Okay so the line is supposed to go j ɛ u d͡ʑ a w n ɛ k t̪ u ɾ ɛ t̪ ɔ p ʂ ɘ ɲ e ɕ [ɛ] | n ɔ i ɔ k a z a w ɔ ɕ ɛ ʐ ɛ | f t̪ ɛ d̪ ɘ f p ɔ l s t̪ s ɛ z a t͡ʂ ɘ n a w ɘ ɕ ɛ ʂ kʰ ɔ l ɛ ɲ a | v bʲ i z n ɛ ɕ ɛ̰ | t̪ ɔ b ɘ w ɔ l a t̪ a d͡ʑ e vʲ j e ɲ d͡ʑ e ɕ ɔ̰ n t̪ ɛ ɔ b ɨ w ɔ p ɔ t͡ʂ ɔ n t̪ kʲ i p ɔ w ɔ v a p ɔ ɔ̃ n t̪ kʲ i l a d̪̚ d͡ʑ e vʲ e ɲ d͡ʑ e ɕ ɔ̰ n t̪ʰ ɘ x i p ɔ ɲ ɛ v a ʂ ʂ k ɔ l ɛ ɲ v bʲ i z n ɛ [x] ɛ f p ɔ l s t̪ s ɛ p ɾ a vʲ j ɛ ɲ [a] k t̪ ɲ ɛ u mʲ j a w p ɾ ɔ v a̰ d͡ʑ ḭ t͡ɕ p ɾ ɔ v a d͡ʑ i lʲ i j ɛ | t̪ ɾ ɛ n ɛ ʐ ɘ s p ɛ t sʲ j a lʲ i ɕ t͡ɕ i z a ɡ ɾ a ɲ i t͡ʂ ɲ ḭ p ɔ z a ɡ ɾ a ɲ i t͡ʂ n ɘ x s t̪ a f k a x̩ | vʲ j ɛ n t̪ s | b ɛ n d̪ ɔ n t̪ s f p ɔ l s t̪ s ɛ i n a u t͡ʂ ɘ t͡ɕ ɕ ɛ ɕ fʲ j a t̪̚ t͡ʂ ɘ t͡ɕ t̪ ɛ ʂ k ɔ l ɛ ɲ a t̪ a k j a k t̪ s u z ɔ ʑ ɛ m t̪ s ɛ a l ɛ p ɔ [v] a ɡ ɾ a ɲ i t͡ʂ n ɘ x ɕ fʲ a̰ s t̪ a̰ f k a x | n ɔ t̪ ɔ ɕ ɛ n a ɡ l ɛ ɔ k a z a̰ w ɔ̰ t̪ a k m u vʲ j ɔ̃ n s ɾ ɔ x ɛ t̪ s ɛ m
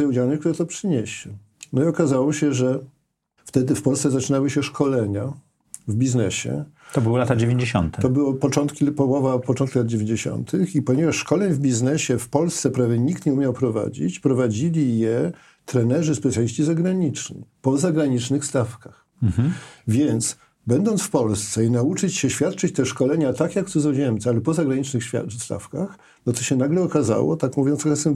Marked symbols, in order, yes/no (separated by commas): yes, no, no, no